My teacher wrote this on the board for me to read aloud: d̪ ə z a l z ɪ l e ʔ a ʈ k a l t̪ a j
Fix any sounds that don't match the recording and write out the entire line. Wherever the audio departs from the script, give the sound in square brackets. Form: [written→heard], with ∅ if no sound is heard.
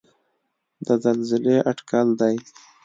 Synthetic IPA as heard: d̪ ə z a l z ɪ l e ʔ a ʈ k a l [t̪→d̪] a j

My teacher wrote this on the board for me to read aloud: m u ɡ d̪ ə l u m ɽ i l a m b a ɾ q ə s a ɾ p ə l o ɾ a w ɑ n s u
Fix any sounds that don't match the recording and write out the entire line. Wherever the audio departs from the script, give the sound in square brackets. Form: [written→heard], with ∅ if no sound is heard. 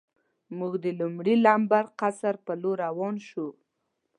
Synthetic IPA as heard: m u ɡ d̪ ə l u m ɽ i l a m b a ɾ q [ə→a] s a ɾ p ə l o ɾ a w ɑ n [s→ʃ] u

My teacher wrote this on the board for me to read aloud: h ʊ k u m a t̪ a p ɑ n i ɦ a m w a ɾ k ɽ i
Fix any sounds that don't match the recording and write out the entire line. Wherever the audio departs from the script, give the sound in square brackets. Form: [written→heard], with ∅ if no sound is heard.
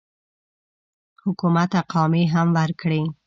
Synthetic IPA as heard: h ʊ k u m a t̪ a [p→q] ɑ [n→m] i ɦ a m w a ɾ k ɽ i

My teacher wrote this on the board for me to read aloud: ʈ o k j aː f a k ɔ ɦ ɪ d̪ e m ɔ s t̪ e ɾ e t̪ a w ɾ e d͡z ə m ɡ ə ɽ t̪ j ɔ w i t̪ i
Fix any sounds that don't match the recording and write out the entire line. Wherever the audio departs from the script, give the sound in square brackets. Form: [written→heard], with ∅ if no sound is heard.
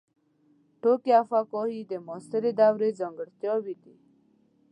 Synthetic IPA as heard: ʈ o k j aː f a k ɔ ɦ [ɪ→i] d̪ e m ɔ s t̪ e ɾ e [t̪→d̪] a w ɾ e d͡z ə [m→ŋ] ɡ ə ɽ t̪ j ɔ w i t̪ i

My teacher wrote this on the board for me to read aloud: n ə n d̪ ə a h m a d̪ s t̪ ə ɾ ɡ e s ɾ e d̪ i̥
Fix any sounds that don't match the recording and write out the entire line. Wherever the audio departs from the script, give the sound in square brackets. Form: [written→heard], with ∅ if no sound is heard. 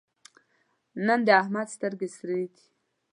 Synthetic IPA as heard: n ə n d̪ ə a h m a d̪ s t̪ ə ɾ ɡ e s ɾ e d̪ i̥

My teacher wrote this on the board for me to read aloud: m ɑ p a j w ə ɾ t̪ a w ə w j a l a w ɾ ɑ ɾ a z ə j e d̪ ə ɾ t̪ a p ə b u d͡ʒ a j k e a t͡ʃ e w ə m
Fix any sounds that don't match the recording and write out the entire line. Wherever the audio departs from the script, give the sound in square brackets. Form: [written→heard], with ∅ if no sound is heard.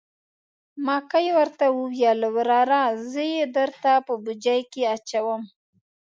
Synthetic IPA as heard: m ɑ [p→k] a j w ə ɾ t̪ a w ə w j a l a w ɾ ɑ ɾ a z ə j e d̪ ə ɾ t̪ a p ə b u d͡ʒ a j k e a t͡ʃ [e→a] w ə m

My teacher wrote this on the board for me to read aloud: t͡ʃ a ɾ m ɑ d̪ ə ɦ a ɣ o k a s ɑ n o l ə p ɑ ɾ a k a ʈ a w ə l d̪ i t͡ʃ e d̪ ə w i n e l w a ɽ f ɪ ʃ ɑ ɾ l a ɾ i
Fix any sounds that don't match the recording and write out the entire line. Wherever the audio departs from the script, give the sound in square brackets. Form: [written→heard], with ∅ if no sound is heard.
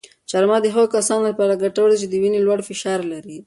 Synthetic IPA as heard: t͡ʃ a ɾ m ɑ d̪ ə ɦ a ɣ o k a s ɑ n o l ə p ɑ ɾ a [k→ɡ] a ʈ a w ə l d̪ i t͡ʃ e d̪ ə w i n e l w a ɽ f ɪ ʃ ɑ ɾ l a ɾ i

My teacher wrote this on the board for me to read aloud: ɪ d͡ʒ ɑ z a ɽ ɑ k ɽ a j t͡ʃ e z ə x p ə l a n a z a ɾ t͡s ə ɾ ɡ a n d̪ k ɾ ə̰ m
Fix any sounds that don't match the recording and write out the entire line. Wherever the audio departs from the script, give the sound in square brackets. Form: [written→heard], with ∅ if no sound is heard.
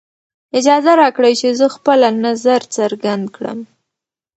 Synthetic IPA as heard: ɪ d͡ʒ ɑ z a [ɽ→ɾ] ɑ k ɽ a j t͡ʃ e z ə x p ə l a n a z a ɾ t͡s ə ɾ ɡ a n d̪ k [ɾ→ɽ] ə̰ m

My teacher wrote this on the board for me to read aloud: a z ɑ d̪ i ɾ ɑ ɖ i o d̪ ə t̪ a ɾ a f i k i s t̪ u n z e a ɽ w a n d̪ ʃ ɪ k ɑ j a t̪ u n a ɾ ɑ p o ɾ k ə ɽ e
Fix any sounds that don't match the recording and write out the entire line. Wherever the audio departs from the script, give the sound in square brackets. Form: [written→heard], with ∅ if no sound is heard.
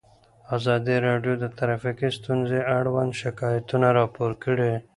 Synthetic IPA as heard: a z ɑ d̪ i ɾ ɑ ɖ [i→j] o d̪ ə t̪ a ɾ a f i k i s t̪ u n z e a ɽ w a n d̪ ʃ ɪ k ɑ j a t̪ u n a ɾ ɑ p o ɾ k ə ɽ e

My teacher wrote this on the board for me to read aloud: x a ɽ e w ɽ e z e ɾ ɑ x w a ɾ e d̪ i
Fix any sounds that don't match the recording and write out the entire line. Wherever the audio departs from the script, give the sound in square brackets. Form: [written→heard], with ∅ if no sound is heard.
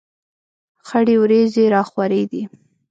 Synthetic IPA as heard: x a ɽ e w [ɽ→ɾ] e z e ɾ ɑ x w a ɾ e d̪ i

